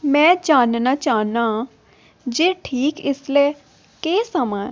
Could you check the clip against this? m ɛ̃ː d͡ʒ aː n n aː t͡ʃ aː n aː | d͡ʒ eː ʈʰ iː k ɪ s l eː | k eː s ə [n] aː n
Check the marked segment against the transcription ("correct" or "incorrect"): incorrect